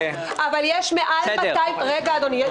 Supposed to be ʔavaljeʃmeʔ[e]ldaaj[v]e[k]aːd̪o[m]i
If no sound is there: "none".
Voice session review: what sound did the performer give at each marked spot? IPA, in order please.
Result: a, ʁ, ɡ, n

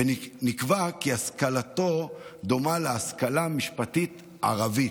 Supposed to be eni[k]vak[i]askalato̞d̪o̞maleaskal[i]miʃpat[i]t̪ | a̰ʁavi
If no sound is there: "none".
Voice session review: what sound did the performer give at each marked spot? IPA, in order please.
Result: k, i, a, i

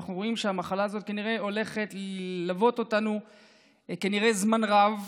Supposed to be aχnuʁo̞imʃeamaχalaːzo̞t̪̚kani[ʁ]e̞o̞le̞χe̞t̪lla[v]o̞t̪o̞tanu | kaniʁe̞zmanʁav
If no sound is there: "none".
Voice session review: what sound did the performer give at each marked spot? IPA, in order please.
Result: ʁ, v

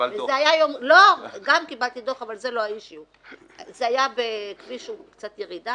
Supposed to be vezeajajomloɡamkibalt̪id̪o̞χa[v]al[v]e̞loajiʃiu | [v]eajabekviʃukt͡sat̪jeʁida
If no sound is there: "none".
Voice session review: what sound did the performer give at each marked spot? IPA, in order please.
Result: v, z, z

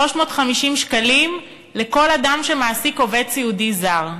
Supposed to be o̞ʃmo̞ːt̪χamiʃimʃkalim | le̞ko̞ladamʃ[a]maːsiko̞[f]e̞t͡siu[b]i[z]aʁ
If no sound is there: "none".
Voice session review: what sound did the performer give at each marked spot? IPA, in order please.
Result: e, v, d, z

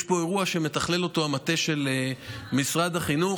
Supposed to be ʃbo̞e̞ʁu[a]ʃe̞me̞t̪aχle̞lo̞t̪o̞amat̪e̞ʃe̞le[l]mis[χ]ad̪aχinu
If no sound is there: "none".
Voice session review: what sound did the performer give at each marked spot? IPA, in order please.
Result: a, none, ʁ

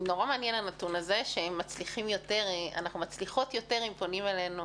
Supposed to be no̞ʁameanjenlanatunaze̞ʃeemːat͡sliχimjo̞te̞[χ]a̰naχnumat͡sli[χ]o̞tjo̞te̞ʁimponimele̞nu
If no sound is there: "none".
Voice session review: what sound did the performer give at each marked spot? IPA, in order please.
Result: ʁ, χ

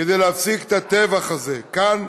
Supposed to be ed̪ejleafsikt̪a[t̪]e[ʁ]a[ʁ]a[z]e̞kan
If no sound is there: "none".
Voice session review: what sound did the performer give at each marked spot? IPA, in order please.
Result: t̪, v, χ, z

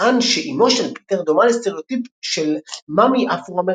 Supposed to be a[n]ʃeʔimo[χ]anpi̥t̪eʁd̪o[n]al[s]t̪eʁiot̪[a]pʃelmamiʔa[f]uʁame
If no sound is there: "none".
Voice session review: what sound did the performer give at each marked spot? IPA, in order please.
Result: n, ʃ, m, s, i, f

